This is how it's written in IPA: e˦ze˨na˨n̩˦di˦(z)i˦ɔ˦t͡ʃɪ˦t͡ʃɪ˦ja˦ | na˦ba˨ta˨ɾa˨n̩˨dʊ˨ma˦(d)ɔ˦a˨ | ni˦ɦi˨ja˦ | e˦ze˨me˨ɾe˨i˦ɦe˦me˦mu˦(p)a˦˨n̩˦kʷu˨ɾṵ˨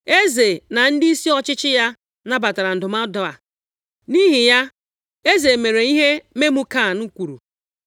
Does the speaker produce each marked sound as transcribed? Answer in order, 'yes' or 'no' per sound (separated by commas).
no, yes, no